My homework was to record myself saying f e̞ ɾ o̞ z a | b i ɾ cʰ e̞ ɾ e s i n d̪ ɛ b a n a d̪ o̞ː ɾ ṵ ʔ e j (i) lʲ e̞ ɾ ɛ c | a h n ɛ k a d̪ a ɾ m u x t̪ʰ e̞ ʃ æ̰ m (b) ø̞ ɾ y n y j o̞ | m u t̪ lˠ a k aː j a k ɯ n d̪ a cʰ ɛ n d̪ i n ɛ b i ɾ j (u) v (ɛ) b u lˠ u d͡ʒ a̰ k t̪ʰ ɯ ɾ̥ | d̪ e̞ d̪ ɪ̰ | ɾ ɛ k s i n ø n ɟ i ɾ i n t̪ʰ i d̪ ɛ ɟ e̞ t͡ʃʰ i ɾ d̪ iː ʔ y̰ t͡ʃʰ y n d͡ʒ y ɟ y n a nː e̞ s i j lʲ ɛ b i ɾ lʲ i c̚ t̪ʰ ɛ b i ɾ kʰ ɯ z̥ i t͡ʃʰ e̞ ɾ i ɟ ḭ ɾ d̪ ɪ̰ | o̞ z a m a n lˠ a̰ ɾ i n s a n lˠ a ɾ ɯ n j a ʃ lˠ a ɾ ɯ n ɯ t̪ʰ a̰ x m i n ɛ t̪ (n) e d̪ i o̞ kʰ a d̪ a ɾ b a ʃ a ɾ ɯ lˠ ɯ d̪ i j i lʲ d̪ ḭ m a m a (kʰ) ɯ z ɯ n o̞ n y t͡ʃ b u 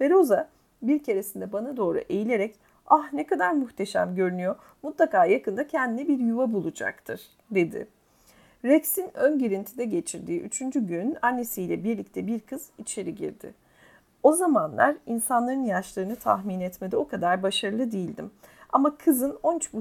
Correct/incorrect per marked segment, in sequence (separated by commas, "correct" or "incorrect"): correct, incorrect, correct, incorrect, incorrect, correct